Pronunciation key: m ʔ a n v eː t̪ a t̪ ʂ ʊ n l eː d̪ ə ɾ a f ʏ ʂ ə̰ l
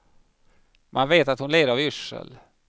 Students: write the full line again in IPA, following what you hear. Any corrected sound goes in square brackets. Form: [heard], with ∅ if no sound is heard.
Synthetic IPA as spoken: m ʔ a n v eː t̪ a t̪ [h] ʊ n l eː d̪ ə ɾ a [v] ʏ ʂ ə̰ l